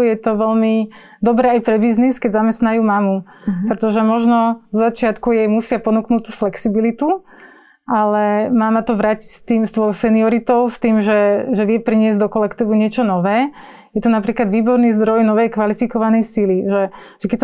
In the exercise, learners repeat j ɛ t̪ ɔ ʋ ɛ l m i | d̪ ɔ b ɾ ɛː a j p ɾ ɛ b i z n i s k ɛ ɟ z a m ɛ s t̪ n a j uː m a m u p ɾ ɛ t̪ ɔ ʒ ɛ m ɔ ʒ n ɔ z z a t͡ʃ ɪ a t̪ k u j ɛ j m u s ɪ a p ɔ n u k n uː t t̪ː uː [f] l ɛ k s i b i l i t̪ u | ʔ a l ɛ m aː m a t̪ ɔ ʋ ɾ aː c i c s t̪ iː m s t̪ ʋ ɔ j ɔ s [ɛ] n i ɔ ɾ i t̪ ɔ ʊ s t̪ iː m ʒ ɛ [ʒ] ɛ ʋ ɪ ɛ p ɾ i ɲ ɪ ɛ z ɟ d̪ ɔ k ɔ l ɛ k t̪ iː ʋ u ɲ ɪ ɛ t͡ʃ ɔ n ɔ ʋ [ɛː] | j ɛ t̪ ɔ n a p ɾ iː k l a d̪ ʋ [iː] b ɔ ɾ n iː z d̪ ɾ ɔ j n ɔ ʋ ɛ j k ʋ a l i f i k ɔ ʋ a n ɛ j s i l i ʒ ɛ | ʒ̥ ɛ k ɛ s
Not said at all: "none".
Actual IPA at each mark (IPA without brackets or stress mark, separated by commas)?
f, ɛ, ʒ, ɛː, iː